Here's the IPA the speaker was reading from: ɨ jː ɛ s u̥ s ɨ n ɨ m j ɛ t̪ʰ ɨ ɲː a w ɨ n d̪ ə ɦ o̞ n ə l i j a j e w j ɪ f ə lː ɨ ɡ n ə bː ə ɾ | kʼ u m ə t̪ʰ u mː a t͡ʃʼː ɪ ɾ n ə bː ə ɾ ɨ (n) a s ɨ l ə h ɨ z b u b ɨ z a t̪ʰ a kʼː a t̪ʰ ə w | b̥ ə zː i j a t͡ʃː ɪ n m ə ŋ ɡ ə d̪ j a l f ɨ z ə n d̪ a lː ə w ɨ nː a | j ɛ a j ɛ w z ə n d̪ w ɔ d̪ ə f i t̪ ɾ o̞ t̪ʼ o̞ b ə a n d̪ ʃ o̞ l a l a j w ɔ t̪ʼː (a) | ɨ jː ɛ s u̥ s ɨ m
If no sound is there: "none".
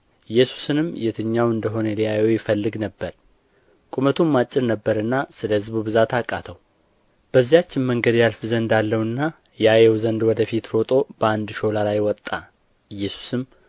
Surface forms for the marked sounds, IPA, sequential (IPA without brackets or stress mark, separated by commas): nː, a